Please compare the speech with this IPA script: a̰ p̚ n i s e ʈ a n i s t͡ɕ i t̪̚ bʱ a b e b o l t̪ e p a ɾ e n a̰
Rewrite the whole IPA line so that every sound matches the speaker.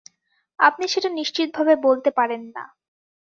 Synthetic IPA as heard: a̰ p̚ n i ʃ e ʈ a n i ʃ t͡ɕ i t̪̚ bʱ a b e b o l t̪ e p a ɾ e nː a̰